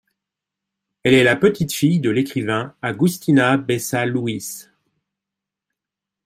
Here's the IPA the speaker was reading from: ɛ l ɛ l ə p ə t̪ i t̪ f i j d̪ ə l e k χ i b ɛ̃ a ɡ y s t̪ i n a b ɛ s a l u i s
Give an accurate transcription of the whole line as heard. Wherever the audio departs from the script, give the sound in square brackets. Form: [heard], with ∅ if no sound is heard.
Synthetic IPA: ɛ l ɛ l [a] p ə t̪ i t̪ f i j d̪ ə l e k χ i [v] ɛ̃ a ɡ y s t̪ i n a b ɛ s a l u i s